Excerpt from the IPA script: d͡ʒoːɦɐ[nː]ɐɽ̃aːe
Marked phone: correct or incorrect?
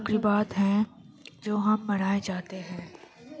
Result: incorrect: mː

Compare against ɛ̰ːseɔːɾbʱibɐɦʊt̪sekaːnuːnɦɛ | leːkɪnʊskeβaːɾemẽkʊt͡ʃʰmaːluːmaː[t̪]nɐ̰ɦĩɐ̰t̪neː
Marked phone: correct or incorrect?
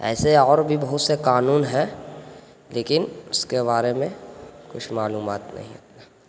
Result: correct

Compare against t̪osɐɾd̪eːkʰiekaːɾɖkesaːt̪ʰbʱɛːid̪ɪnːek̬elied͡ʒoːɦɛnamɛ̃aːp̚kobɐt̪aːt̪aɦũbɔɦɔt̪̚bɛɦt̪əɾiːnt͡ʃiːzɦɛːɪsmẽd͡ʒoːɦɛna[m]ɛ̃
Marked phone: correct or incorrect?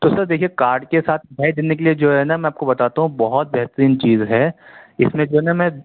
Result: correct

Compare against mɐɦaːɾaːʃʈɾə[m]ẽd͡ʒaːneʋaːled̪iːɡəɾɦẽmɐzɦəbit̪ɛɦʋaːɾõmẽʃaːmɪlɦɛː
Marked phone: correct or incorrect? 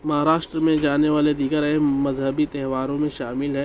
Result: correct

